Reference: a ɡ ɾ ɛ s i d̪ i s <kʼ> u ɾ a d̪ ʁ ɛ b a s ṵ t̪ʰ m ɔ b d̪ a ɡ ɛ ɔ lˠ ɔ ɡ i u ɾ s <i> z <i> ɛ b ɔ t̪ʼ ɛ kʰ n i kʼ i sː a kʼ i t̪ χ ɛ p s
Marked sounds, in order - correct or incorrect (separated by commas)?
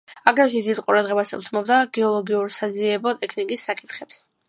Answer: incorrect, incorrect, correct